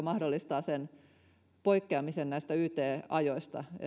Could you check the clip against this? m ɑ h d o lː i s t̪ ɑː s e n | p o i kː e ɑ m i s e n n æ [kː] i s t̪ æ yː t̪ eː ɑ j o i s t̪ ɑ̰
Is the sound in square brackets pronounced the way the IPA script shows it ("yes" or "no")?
no